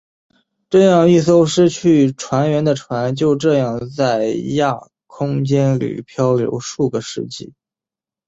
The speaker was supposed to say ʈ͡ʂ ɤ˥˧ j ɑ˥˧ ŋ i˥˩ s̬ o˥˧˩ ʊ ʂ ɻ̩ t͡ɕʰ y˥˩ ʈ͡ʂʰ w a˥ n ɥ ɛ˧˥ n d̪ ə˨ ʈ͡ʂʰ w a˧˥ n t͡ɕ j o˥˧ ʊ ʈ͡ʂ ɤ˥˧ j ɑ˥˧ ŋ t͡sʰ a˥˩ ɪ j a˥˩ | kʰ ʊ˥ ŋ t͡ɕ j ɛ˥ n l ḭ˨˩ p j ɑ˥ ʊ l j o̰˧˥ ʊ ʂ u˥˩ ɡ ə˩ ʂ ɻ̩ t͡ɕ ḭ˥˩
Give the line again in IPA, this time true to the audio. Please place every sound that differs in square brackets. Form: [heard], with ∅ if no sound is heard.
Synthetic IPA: ʈ͡ʂ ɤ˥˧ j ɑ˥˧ ŋ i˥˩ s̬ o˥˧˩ ʊ ʂ ɻ̩ t͡ɕʰ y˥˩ ʈ͡ʂʰ w [a˧˥] n ɥ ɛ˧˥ n d̪ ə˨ ʈ͡ʂʰ w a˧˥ n t͡ɕ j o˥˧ ʊ ʈ͡ʂ ɤ˥˧ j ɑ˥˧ ŋ [t͡s] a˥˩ ɪ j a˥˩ | kʰ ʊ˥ ŋ t͡ɕ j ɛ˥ n l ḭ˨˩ [pʰ] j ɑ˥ ʊ l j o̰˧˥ ʊ ʂ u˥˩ ɡ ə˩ ʂ ɻ̩ t͡ɕ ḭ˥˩